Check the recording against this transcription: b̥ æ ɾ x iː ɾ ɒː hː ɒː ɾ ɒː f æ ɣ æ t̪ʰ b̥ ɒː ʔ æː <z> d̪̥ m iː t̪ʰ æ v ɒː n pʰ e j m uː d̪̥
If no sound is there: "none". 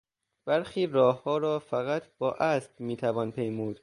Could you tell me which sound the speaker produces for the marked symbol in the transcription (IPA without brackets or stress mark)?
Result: s